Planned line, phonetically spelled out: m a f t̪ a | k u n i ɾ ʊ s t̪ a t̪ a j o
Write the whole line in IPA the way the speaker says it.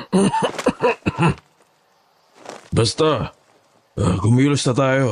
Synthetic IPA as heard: b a s t̪ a | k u m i l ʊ s t̪ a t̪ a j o